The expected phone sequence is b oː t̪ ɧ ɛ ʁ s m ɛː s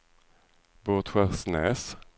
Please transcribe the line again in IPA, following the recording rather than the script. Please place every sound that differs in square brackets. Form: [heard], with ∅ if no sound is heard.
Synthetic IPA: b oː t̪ ɧ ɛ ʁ s [n] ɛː s